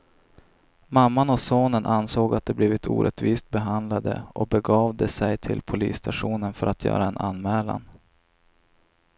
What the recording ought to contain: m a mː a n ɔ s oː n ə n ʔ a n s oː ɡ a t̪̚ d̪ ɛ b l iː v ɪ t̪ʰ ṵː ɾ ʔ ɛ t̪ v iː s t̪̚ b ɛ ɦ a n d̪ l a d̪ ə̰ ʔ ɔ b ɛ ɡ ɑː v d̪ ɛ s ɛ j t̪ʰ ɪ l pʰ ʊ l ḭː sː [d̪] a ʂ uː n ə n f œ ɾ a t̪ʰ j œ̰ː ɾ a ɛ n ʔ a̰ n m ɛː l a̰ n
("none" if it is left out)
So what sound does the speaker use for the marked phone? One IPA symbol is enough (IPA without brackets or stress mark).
t̪